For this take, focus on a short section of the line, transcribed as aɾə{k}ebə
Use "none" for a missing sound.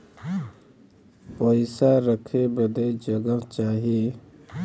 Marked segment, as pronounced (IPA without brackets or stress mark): kʰ